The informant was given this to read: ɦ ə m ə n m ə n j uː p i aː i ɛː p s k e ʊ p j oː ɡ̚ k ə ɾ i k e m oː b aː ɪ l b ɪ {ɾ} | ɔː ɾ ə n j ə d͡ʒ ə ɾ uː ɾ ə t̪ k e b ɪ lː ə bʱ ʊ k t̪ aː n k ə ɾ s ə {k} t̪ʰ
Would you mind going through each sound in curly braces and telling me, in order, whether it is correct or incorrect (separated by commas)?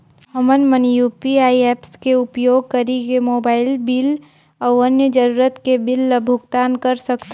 incorrect, correct